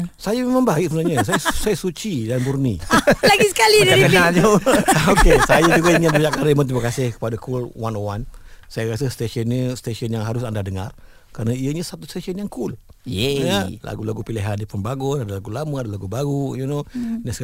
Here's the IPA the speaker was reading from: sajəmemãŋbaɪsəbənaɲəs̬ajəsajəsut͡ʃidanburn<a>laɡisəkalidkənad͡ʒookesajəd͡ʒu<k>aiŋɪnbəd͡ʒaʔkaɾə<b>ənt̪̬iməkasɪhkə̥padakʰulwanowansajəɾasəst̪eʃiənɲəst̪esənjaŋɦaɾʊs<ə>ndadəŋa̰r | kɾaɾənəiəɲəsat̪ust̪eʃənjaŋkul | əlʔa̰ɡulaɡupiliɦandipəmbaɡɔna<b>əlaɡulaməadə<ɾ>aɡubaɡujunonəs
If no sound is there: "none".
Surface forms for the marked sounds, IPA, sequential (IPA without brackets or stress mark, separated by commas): i, ɡ, m, a, d, l